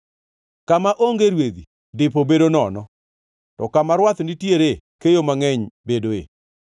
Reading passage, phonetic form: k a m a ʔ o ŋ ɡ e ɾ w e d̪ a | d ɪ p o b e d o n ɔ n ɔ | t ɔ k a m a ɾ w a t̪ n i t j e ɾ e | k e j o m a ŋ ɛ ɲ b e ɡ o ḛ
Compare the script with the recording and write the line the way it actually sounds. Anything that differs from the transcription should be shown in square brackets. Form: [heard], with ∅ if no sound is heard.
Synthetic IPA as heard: k a m a ʔ o ŋ ɡ e ɾ w e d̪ [i] | d ɪ p o b e d o n ɔ n ɔ | t ɔ k a m a ɾ w a t̪ n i t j e ɾ e | k e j o m a ŋ ɛ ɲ b e [d] o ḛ